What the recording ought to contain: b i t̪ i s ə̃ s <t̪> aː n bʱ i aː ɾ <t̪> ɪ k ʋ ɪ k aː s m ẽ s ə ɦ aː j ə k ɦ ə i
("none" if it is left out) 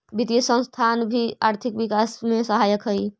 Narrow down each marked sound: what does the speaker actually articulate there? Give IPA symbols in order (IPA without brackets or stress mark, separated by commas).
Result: t̪ʰ, t̪ʰ